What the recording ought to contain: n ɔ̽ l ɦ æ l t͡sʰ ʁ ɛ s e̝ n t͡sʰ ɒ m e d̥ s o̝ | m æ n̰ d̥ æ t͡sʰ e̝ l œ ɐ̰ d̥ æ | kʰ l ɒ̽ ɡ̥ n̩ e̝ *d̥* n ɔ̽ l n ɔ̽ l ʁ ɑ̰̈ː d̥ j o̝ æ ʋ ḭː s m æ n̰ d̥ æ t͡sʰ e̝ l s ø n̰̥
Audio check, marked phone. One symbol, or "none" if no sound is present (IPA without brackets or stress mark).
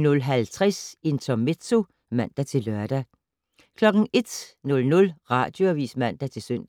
d̥